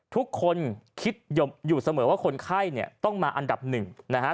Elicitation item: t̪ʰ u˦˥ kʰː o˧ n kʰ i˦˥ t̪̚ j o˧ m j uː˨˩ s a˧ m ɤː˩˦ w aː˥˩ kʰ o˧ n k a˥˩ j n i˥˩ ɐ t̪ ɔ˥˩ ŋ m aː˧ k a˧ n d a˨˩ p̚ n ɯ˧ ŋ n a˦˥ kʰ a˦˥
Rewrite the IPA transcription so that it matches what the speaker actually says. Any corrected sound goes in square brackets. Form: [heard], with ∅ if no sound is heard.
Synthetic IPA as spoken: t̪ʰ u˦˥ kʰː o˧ n kʰ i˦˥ t̪̚ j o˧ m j uː˨˩ s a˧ m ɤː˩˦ w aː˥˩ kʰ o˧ n [kʰ] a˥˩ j n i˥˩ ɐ t̪ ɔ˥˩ ŋ m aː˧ [ʔ] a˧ n d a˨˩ p̚ n [ɯ˨˩] ŋ n a˦˥ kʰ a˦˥